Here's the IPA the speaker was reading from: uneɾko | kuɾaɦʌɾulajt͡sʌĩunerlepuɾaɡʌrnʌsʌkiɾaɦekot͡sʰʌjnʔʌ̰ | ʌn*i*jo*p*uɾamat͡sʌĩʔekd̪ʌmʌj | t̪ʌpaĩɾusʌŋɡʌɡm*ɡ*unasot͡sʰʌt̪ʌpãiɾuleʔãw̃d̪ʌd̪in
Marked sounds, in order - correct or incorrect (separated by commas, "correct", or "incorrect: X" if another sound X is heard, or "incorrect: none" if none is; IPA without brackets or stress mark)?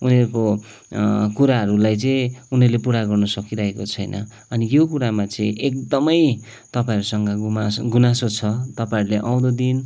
correct, incorrect: k, correct